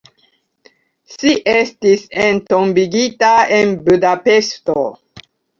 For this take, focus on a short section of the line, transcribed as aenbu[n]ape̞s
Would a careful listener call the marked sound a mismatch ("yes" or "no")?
yes